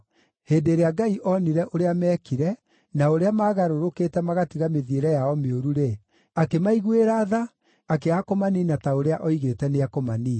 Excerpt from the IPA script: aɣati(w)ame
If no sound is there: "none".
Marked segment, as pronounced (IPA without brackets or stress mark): ɣ